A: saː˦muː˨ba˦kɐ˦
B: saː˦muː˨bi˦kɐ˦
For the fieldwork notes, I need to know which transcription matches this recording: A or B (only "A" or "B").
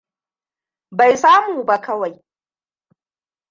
A